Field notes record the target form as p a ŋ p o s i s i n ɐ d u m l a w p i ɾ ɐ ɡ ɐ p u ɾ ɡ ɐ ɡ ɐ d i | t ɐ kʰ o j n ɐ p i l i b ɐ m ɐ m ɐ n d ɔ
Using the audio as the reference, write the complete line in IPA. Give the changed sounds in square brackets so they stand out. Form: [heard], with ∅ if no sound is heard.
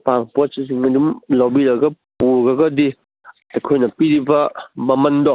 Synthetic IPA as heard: p a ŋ p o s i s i [ŋ] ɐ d u m l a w [b] i ɾ ɐ ɡ ɐ p u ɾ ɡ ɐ ɡ ɐ d i | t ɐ kʰ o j n ɐ p i [ɾ] i b ɐ m ɐ m ɐ n d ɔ